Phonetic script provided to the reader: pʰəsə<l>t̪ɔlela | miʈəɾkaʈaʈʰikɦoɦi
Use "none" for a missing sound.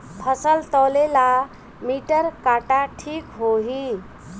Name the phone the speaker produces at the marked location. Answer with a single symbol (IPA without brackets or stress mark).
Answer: l